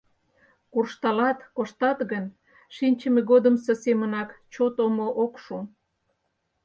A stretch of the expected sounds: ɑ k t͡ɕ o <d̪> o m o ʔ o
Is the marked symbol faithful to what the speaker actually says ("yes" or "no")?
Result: no